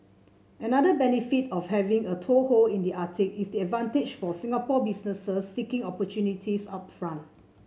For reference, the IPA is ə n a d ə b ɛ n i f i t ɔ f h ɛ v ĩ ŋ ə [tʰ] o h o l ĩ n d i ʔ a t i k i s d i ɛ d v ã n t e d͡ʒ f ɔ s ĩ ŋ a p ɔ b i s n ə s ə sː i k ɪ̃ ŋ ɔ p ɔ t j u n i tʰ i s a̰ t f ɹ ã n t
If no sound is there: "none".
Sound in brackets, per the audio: tʰ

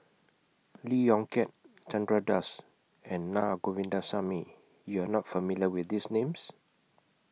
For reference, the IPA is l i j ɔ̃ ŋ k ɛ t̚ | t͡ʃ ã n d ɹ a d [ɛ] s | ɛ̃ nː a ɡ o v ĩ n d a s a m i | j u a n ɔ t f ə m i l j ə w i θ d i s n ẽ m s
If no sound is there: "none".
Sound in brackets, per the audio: a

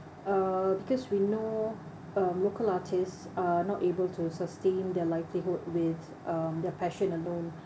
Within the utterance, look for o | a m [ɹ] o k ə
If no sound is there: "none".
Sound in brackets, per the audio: l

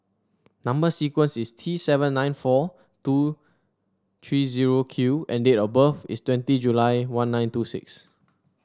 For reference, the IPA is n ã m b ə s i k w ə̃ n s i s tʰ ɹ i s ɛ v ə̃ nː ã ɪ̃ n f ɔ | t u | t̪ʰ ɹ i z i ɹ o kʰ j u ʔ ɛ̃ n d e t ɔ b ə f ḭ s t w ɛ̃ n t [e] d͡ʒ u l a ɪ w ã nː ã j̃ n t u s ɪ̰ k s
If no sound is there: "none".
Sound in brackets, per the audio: i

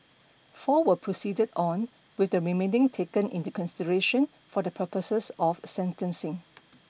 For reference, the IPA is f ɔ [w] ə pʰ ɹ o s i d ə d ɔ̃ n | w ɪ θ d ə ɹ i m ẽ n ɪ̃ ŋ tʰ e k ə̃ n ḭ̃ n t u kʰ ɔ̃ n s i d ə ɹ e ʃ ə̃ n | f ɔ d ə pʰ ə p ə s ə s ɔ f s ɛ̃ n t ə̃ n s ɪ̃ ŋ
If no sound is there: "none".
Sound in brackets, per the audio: w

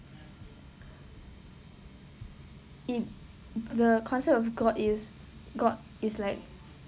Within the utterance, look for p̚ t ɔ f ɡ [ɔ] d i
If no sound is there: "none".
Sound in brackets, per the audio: ɔ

